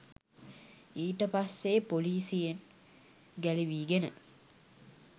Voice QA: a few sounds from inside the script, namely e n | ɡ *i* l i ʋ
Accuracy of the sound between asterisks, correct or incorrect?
incorrect